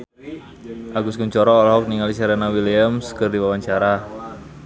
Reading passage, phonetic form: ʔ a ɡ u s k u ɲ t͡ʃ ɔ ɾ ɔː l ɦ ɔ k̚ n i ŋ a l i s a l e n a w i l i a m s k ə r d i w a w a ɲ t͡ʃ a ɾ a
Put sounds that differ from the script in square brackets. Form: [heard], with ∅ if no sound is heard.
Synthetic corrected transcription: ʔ a ɡ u s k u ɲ t͡ʃ ɔ ɾ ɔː l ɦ ɔ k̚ n i ŋ a l i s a [ɾ] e n a w i l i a m s k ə r d i w a w a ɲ t͡ʃ a ɾ a